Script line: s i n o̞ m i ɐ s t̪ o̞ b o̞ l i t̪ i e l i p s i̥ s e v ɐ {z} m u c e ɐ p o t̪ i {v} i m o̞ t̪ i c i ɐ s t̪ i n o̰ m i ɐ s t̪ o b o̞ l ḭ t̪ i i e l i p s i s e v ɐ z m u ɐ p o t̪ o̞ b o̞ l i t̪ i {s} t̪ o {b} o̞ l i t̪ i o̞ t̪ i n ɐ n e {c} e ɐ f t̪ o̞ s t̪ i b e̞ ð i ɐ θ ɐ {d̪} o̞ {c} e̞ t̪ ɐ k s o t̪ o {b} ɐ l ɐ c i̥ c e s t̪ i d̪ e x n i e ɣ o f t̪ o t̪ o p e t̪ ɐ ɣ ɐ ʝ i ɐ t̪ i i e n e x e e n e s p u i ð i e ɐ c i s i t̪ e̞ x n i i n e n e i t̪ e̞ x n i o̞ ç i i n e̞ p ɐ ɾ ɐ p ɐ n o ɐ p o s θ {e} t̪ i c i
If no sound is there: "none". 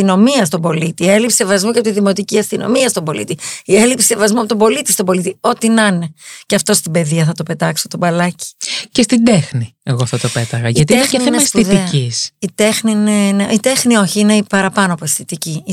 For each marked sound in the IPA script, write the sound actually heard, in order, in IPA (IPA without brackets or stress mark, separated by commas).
z, ð, s, b, c, t̪, p, b, i